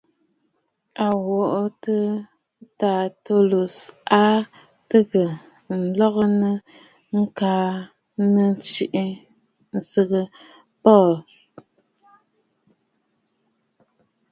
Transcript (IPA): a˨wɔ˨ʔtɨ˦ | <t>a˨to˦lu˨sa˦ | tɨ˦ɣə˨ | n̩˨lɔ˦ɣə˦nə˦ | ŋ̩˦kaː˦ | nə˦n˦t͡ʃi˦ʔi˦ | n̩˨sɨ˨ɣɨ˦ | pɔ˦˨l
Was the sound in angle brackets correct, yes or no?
yes